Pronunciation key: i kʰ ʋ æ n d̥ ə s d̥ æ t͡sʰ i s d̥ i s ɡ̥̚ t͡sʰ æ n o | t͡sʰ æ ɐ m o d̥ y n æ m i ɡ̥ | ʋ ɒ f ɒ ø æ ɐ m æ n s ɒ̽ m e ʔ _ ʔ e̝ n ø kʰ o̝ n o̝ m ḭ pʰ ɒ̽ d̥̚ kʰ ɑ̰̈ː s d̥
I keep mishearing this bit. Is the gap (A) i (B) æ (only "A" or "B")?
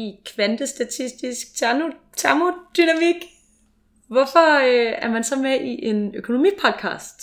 A